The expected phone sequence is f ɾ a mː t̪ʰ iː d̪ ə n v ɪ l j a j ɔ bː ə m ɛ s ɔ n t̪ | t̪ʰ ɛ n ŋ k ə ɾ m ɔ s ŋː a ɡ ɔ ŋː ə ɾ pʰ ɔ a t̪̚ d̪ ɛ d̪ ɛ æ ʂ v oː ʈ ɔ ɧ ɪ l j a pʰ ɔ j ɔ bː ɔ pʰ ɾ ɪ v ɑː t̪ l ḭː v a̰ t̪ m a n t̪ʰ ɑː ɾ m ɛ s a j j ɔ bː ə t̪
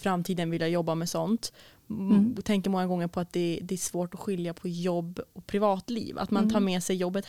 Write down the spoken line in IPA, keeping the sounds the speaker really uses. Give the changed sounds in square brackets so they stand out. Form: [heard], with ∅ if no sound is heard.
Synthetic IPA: f ɾ a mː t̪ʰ iː d̪ ə n v ɪ l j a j ɔ bː [a] m ɛ s ɔ n t̪ | t̪ʰ ɛ [∅] ŋ k ə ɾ m ɔ [∅] ŋː a ɡ ɔ ŋː ə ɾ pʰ ɔ a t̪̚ d̪ ɛ d̪ ɛ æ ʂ v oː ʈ ɔ ɧ ɪ l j a pʰ ɔ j ɔ bː ɔ pʰ ɾ ɪ v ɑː t̪ l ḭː v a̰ t̪ m a n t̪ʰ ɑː ɾ m ɛ s [ɛ] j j ɔ bː ə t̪